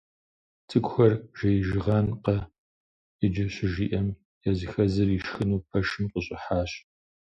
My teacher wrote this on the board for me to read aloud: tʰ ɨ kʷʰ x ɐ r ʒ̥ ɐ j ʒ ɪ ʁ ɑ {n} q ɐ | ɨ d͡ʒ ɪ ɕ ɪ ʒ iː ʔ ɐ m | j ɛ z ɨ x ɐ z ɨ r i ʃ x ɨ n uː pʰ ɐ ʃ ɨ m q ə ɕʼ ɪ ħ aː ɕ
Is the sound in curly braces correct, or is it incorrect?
correct